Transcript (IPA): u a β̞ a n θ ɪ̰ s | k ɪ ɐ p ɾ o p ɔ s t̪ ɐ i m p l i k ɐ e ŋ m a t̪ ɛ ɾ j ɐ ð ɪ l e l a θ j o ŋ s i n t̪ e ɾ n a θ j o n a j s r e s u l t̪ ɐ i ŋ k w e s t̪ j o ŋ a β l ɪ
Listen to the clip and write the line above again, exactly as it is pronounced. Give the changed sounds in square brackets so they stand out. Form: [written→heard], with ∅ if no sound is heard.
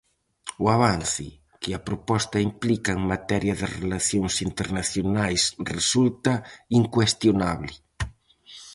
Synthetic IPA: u a β̞ a n θ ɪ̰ [s→∅] | k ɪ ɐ p ɾ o p ɔ s t̪ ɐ i m p l i k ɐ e ŋ m a t̪ ɛ ɾ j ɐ ð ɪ [l→r] e l a θ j o ŋ s i n t̪ e ɾ n a θ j o n a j s r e s u l t̪ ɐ i ŋ k w e s t̪ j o [ŋ→n] a β l ɪ